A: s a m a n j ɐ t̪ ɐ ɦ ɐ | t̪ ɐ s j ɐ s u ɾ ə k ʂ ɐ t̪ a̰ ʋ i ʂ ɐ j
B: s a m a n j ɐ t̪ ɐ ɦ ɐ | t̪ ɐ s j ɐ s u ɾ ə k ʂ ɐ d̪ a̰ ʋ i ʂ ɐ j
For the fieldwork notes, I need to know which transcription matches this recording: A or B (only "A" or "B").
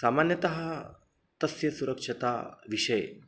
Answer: A